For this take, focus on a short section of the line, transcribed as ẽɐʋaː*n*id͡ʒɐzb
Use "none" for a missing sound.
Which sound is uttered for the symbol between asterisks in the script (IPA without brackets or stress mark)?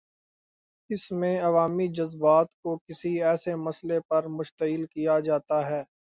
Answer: m